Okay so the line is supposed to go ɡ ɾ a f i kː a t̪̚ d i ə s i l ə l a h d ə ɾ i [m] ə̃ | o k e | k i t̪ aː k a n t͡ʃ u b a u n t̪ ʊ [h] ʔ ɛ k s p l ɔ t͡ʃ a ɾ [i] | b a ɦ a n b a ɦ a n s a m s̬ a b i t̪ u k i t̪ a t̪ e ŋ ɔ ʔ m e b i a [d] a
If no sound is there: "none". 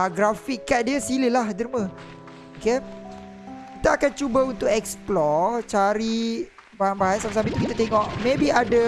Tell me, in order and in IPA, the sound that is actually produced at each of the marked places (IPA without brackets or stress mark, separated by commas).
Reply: m, none, i, d